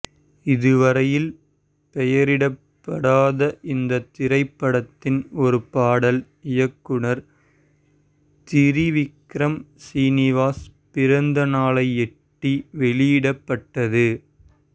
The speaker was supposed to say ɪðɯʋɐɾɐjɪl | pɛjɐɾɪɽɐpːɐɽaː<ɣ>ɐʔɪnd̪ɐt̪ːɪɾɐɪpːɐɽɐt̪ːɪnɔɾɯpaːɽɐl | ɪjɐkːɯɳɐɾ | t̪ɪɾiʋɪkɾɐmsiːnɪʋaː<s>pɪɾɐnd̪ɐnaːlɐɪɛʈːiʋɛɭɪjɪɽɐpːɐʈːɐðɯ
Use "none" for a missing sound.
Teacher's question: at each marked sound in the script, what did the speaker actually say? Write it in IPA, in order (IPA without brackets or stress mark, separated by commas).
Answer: ð, s